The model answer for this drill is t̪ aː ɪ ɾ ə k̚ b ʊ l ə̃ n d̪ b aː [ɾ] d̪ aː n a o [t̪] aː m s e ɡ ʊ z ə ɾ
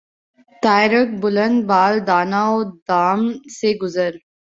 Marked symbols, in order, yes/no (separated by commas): no, no